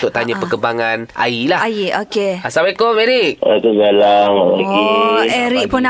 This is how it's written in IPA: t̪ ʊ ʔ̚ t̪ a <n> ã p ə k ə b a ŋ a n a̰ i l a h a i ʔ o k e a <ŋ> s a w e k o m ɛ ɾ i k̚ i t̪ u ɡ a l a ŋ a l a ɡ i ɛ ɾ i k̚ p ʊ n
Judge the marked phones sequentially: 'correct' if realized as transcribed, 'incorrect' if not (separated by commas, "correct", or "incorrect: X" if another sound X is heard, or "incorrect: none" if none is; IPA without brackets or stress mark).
incorrect: ɲ, incorrect: none